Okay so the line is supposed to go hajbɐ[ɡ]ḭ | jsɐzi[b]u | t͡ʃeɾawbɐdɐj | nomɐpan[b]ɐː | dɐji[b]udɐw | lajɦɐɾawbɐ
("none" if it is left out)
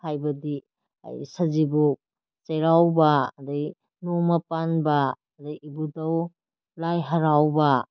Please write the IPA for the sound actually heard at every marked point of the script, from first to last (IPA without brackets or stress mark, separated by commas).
d, b, b, b